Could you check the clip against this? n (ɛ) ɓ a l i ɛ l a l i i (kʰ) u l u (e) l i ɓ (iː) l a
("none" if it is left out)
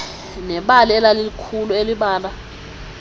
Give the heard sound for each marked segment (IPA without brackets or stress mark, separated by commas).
ɛ, kʰ, e, aː